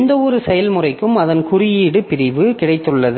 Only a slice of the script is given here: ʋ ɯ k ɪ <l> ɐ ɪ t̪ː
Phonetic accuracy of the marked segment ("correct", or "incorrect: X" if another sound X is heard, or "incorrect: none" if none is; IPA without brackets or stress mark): incorrect: ɽ